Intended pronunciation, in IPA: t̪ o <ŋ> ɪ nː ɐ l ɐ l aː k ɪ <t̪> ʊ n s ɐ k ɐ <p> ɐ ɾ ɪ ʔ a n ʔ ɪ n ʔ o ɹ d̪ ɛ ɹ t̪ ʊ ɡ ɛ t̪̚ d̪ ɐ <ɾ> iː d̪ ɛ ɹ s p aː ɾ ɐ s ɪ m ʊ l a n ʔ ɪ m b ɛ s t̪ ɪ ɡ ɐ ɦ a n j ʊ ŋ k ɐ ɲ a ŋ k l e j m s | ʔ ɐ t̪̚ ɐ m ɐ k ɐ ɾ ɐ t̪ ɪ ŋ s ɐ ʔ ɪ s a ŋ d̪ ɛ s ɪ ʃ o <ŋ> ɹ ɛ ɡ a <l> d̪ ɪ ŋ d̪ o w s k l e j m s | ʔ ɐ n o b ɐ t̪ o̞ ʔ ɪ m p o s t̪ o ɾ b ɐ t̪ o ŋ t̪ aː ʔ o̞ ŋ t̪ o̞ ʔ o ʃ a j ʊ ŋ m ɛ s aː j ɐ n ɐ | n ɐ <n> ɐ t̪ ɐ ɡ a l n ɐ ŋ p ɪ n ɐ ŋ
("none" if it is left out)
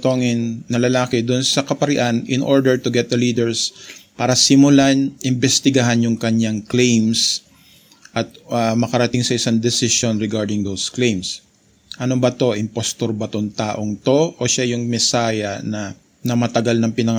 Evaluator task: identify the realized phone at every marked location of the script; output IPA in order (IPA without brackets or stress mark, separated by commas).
ŋ, d̪, p, l, n, ɹ, m